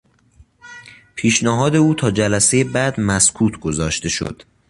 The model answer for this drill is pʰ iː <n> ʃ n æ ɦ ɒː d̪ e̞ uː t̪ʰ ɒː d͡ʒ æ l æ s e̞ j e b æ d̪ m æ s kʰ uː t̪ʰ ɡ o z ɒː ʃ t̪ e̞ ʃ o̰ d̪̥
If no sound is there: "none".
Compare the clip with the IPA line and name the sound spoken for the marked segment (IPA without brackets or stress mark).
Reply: none